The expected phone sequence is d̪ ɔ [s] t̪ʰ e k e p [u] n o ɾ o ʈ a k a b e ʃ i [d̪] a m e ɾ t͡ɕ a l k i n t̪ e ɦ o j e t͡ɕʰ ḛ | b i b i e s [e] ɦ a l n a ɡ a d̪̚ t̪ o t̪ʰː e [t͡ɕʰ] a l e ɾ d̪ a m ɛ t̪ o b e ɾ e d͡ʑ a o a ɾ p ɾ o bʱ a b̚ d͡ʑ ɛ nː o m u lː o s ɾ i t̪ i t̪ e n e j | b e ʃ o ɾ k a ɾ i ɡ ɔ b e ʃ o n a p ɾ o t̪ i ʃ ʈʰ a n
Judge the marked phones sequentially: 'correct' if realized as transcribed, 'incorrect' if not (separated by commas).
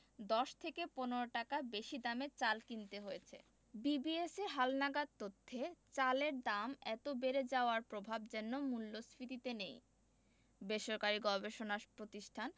incorrect, incorrect, correct, correct, incorrect